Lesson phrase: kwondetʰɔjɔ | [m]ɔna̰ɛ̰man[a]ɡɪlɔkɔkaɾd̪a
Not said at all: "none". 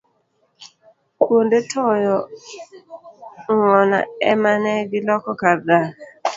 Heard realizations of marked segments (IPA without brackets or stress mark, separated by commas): ŋ, ɛ